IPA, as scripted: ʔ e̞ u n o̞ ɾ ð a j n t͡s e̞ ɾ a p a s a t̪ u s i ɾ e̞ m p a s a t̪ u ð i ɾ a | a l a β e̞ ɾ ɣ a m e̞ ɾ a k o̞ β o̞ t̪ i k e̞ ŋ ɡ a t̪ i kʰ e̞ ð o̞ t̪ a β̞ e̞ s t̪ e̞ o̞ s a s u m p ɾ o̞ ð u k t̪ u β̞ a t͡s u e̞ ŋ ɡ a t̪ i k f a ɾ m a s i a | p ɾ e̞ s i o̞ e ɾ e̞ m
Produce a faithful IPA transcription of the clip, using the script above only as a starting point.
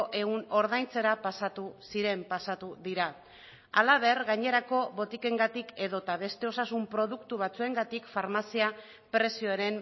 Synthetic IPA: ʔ e̞ u n o̞ ɾ ð a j n t͡s e̞ ɾ a p a s a t̪ u s i ɾ e̞ m p a s a t̪ u ð i ɾ a | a l a β e̞ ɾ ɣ a ɲ e̞ ɾ a k o̞ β o̞ t̪ i k e̞ ŋ ɡ a t̪ i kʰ e̞ ð o̞ t̪ a β̞ e̞ s t̪ e̞ o̞ s a s u m p ɾ o̞ ð u k t̪ u β̞ a t͡s u e̞ ŋ ɡ a t̪ i k f a ɾ m a s i a | p ɾ e̞ s i o̞ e ɾ e̞ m